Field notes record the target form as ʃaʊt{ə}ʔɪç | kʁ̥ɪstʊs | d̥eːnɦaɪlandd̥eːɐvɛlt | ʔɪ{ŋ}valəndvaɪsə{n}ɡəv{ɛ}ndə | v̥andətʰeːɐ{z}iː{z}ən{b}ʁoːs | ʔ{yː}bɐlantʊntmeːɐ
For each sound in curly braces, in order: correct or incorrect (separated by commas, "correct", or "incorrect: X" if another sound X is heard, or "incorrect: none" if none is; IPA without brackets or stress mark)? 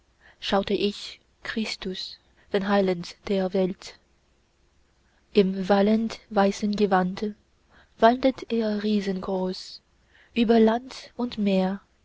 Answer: correct, incorrect: m, correct, incorrect: a, incorrect: ʁ, correct, incorrect: ɡ, correct